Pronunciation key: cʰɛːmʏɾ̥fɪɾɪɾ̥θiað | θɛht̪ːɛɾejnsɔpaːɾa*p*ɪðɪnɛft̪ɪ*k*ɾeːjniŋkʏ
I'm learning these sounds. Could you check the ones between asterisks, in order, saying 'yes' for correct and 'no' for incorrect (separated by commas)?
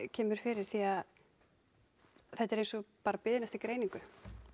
yes, yes